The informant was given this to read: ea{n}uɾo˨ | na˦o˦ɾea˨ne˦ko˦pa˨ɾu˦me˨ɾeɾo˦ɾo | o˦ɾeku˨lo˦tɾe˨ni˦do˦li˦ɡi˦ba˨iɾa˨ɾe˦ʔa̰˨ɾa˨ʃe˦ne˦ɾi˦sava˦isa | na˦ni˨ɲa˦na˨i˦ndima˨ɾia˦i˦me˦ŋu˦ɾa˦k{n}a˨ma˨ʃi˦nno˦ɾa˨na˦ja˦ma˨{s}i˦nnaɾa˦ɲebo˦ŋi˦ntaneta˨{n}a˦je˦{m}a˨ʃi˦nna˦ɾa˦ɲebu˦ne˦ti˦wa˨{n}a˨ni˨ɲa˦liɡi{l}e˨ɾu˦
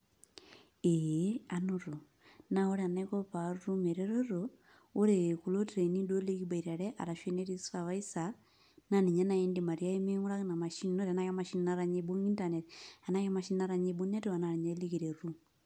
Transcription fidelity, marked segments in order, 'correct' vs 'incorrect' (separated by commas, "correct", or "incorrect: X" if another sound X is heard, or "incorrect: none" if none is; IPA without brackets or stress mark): correct, correct, incorrect: ʃ, correct, correct, correct, incorrect: ɾ